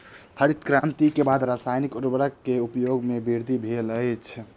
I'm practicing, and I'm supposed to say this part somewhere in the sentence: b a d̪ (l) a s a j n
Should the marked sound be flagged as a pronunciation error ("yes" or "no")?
yes